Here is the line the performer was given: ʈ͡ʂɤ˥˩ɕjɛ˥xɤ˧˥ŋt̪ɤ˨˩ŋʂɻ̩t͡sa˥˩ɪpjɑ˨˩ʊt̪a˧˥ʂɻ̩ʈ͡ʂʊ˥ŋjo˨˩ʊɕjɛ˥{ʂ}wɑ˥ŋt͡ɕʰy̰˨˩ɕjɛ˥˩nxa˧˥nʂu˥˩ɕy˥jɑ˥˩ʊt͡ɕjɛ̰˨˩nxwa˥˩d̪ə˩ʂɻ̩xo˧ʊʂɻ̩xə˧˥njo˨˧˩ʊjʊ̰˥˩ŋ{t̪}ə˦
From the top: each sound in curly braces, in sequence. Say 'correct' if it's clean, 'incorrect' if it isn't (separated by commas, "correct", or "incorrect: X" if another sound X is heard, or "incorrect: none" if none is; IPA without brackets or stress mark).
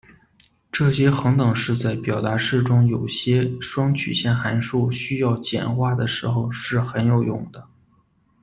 correct, incorrect: d̪